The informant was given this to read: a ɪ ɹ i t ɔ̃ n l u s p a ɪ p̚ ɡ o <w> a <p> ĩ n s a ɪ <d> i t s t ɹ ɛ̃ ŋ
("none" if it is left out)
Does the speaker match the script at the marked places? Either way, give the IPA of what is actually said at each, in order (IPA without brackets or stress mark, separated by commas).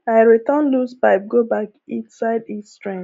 b, k, d